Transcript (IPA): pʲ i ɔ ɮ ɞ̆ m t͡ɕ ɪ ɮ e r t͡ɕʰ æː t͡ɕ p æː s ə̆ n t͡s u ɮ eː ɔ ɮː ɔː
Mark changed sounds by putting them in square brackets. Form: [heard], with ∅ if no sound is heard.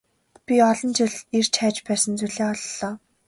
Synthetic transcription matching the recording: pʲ i ɔ ɮ ɞ̆ [n] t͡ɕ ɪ ɮ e r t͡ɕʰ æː t͡ɕ p æː s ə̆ n t͡s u ɮ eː ɔ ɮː ɔː